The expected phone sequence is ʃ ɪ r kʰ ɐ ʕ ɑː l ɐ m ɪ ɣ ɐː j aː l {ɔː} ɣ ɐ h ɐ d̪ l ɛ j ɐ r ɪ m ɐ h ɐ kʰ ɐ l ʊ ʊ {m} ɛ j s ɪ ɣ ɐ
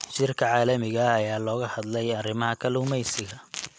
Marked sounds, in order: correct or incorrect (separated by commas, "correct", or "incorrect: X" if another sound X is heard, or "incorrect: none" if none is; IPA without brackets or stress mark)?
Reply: correct, correct